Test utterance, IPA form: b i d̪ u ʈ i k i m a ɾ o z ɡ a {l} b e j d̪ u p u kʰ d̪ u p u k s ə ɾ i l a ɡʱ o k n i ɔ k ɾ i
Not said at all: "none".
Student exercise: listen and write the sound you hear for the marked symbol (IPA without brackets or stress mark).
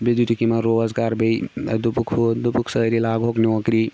ɾ